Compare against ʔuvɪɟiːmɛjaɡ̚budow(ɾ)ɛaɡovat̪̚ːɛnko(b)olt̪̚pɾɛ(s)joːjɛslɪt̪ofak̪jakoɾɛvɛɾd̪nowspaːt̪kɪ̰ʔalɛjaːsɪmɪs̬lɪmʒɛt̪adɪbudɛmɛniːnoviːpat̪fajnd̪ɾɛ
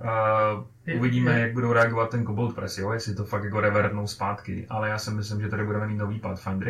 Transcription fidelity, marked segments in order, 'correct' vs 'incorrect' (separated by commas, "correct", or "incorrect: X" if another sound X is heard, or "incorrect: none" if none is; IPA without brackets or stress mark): correct, correct, correct